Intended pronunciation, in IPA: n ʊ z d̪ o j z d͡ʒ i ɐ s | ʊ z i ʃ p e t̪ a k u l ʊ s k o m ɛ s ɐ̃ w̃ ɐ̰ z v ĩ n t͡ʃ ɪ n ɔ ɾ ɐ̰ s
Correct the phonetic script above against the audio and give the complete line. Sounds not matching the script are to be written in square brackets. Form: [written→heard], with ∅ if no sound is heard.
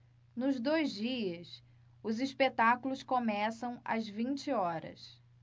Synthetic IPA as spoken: n ʊ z d̪ o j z d͡ʒ i ɐ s | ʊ z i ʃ p e t̪ a k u l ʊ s k o m ɛ s ɐ̃ w̃ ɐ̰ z v ĩ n t͡ʃ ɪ [n→∅] ɔ ɾ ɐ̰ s